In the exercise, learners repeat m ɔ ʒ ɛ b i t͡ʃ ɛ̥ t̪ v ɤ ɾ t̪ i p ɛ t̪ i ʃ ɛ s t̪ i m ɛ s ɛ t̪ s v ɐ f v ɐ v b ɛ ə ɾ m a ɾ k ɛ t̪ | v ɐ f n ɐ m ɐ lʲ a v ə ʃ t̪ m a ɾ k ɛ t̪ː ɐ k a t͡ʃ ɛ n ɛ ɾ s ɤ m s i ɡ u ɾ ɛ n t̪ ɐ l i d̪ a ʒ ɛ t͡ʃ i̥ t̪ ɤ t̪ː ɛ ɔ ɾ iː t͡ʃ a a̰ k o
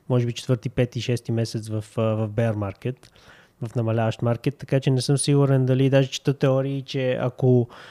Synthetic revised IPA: m ɔ ʒ ɛ b i t͡ʃ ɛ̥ t̪ v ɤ ɾ t̪ i p ɛ t̪ i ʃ ɛ s t̪ i m ɛ s ɛ t̪ s v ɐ f v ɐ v b ɛ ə ɾ m a ɾ k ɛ t̪ | v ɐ f n ɐ m ɐ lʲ a v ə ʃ t̪ m a ɾ k ɛ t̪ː ɐ k a t͡ʃ ɛ n ɛ s ɤ m s i ɡ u ɾ ɛ n d̪ ɐ l i d̪ a ʒ ɛ t͡ʃ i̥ t̪ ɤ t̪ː ɛ ɔ ɾ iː t͡ʃ ɛ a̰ k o